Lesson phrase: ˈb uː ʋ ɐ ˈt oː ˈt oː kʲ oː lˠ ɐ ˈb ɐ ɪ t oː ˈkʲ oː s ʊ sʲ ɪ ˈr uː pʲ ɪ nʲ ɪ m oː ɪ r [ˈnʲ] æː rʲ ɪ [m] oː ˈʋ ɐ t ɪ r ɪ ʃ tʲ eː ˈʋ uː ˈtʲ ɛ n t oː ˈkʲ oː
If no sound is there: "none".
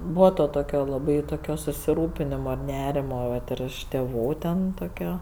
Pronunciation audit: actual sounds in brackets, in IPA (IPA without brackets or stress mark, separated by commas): nʲ, m